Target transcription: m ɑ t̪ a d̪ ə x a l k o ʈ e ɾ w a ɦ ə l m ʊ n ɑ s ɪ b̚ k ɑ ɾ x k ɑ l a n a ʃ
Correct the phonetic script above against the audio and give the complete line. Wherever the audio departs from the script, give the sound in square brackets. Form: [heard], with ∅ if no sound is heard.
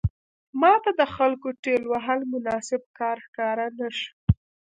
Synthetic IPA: m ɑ t̪ a d̪ ə x a l k o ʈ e [l] w a ɦ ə l m ʊ n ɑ s ɪ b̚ k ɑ ɾ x k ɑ [ɾ] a n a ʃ

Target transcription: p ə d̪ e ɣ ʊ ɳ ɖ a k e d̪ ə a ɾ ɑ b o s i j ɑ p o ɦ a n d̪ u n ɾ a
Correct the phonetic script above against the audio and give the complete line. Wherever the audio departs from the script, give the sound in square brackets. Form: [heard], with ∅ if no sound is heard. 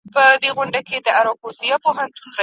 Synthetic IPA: p ə d̪ e ɣ ʊ ɳ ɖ a k e d̪ ə a ɾ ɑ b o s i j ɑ p o ɦ a n [t̪] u n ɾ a

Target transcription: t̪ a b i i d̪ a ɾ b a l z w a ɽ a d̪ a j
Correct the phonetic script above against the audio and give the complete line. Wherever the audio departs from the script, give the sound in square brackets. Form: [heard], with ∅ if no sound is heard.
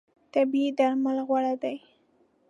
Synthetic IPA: t̪ a b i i d̪ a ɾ [m] a l [ɣ] w a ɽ a d̪ a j

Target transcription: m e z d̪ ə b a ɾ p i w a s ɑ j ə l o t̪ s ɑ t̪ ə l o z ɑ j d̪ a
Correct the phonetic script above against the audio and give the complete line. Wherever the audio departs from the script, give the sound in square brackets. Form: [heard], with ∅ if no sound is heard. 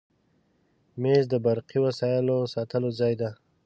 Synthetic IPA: m e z d̪ ə b a ɾ [q] i w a s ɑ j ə l o [∅] s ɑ t̪ ə l o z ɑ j d̪ a

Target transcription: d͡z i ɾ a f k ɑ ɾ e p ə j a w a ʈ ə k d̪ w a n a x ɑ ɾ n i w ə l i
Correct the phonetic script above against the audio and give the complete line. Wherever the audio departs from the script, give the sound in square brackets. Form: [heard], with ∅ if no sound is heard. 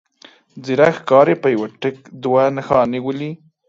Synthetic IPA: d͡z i ɾ a [x] k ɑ ɾ e p ə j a w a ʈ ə k d̪ w a n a x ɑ [∅] n i w ə l i

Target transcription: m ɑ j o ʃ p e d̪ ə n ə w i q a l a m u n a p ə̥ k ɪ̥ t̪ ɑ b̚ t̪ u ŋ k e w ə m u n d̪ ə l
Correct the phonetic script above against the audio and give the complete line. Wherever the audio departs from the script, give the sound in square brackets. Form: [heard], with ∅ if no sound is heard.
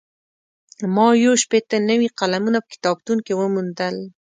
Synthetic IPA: m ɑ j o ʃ p e [t̪] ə n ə w i q a l a m u n a p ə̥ k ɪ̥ t̪ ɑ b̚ t̪ u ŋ k e w ə m u n d̪ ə l

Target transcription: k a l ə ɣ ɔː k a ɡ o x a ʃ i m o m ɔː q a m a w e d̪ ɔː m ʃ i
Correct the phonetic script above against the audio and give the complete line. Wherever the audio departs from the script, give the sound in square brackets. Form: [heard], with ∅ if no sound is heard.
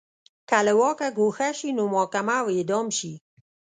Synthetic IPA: k a l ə [w] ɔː k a ɡ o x a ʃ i [n] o m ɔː [k] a m a w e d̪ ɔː m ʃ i

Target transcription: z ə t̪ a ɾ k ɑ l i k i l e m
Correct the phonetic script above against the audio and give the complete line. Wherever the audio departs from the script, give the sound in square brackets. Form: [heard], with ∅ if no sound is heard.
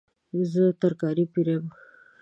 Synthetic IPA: z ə t̪ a ɾ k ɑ [ɾ] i [p] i [ɾ] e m

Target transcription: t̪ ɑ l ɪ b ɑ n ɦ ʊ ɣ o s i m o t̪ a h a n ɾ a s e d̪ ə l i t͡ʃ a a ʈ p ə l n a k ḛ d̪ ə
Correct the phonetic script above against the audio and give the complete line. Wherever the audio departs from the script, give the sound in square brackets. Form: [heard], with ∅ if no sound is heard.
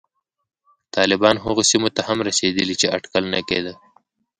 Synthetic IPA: t̪ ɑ l ɪ b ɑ n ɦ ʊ ɣ o s i m o t̪ a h a [m] ɾ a s e d̪ ə l i t͡ʃ [e] a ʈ [k] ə l n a k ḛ d̪ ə

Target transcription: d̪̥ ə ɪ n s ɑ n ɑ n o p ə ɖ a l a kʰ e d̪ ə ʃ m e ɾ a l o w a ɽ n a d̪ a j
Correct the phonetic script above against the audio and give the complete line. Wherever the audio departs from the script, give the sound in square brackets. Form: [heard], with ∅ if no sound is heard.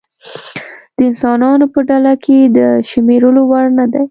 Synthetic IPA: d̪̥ ə ɪ n s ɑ n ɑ n o p ə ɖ a l a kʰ e d̪ ə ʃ m e ɾ [ə] l o w a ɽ n a d̪ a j

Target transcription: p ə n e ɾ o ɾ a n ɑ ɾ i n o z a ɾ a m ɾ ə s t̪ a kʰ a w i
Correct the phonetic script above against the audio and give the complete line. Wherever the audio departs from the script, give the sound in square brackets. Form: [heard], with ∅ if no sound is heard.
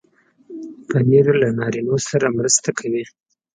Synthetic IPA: p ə n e ɾ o [l] a n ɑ ɾ i n o [s] a ɾ a m ɾ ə s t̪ a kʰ a w i

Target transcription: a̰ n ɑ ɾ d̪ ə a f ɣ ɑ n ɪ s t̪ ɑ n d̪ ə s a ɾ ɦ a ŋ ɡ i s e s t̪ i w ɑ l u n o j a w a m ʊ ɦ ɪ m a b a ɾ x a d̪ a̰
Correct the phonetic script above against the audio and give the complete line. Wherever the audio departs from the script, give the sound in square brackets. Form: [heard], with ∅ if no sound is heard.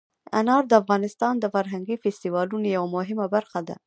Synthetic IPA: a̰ n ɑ ɾ d̪ ə a f ɣ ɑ n ɪ s t̪ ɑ n d̪ ə [f] a ɾ ɦ a ŋ ɡ i [f] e s t̪ i w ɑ l u n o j a w a m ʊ ɦ ɪ m a b a ɾ x a d̪ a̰

